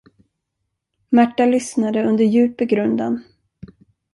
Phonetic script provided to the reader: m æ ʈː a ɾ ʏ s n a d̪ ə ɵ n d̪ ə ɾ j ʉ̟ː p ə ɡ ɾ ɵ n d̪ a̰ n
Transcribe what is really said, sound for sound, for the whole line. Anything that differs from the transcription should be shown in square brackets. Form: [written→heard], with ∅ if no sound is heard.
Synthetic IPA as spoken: m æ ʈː a [ɾ→l] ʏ s n a d̪ ə ɵ n d̪ ə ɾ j ʉ̟ː p ə ɡ ɾ ɵ n d̪ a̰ n